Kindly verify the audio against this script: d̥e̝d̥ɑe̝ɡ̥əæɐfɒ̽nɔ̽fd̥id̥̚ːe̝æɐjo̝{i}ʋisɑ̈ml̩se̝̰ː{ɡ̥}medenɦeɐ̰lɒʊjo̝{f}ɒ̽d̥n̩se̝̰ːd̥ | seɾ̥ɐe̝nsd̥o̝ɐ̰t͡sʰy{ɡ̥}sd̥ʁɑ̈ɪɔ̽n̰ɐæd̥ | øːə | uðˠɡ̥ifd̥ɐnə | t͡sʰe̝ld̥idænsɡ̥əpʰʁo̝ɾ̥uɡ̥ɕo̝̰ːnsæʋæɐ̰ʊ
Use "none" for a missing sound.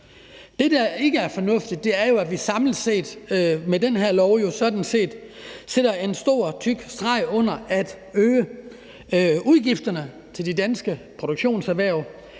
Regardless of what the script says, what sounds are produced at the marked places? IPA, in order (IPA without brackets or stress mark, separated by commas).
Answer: æ, d̥, s, ɡ̥